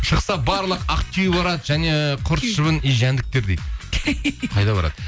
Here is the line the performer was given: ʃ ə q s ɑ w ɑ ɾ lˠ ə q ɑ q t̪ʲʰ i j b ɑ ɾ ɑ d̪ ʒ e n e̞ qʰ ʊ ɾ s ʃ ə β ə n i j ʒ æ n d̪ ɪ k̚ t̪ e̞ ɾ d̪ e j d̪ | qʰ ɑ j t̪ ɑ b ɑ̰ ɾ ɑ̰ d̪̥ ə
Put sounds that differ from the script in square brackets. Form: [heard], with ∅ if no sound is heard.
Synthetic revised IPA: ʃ ə q s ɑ [b] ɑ ɾ lˠ ə q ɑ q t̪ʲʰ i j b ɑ ɾ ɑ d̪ ʒ [æ] n e̞ qʰ ʊ ɾ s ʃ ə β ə n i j ʒ æ n d̪ ɪ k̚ t̪ e̞ ɾ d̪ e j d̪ | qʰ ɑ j [d̪] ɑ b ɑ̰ ɾ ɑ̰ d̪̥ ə